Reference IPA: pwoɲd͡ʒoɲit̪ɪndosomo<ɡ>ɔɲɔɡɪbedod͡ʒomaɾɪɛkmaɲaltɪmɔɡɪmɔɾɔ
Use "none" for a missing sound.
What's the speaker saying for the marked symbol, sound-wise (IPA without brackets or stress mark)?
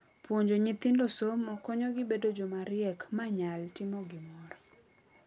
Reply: k